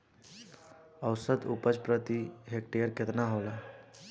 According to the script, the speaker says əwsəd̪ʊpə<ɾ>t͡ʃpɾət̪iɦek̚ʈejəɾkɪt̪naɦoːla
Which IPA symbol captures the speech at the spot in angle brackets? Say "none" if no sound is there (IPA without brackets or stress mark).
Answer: none